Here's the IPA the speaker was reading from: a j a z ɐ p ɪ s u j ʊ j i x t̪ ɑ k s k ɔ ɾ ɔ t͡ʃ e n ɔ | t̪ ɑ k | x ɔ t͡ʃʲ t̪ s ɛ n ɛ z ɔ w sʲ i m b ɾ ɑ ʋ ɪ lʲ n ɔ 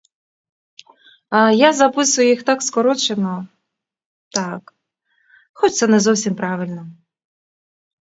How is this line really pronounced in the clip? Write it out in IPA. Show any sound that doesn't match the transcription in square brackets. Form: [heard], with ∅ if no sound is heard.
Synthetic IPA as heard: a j a z ɐ p ɪ s [ʊ] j ʊ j i x t̪ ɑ k s k ɔ ɾ ɔ t͡ʃ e n ɔ | t̪ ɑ k | x ɔ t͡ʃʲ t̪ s ɛ n ɛ z ɔ w sʲ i m [p] ɾ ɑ ʋ ɪ lʲ n ɔ